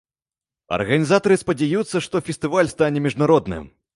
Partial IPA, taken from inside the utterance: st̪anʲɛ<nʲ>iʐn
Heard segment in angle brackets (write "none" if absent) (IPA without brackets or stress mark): mʲ